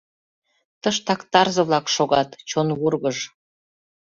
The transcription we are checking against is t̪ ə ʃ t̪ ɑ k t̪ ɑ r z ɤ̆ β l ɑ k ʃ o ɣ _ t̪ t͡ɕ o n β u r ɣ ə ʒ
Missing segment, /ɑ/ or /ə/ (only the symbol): ɑ